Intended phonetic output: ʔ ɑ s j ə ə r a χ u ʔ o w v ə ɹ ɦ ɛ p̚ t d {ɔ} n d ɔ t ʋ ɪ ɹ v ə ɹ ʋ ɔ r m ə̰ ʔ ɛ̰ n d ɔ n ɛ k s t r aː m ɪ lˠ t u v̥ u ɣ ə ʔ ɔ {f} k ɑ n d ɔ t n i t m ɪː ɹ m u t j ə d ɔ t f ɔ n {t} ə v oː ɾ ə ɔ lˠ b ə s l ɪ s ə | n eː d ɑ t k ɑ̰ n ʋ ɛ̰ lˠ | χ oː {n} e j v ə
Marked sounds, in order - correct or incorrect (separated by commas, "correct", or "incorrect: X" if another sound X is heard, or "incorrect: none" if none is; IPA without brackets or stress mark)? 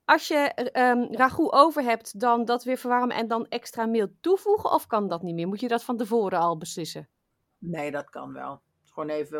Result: correct, correct, correct, correct